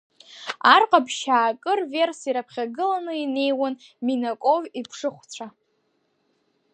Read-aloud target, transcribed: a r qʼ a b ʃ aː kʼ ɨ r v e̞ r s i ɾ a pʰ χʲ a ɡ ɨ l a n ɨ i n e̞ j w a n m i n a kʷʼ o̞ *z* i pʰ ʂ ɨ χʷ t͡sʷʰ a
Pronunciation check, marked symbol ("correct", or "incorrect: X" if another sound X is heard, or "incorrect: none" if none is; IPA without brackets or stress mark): incorrect: v